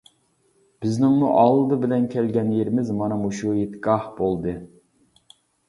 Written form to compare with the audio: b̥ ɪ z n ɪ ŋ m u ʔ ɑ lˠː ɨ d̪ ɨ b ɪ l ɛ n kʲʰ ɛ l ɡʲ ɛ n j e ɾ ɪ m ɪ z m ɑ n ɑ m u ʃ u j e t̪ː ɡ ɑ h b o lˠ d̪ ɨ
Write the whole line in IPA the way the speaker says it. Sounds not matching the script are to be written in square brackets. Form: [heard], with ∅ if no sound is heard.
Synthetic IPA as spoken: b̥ ɪ z n ɪ ŋ m u ʔ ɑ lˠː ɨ d̪ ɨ b ɪ l ɛ n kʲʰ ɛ l ɡʲ ɛ n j e ɾ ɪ m ɪ z m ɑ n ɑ m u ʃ u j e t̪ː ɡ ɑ h b o lˠ d̪ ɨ